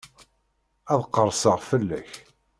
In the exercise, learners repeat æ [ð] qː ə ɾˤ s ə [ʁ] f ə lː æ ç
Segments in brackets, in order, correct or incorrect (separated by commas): correct, correct